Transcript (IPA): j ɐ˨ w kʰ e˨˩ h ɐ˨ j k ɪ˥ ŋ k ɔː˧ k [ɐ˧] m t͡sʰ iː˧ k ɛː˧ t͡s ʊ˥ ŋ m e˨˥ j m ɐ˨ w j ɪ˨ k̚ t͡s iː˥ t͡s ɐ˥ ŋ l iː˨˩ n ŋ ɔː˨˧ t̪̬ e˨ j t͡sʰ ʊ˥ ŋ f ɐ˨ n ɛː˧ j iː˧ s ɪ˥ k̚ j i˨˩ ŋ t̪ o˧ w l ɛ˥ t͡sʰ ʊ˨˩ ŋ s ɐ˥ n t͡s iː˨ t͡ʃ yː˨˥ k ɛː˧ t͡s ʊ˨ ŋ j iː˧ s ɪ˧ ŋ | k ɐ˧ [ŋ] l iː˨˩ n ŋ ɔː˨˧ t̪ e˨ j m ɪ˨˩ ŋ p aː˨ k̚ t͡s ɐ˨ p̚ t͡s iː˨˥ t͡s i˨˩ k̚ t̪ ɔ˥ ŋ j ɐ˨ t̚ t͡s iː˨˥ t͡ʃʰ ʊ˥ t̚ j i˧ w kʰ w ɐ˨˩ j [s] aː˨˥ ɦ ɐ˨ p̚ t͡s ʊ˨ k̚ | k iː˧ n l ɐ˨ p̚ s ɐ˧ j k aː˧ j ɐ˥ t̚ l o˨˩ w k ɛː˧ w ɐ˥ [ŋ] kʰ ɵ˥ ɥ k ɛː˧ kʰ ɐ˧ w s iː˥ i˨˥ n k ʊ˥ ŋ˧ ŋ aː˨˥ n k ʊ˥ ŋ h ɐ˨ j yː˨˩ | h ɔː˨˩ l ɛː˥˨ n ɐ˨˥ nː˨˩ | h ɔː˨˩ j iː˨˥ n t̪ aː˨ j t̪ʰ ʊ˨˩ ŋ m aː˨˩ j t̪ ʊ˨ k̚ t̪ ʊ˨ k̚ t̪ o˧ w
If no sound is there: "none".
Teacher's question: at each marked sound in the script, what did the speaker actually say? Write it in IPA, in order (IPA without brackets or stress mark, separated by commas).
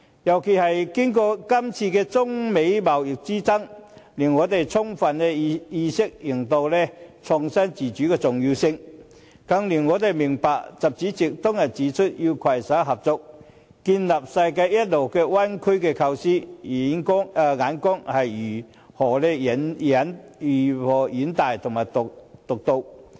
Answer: ɐ˥, ŋ, s, n